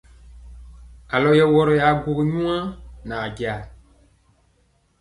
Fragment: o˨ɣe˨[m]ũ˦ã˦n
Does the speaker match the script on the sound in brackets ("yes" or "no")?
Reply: no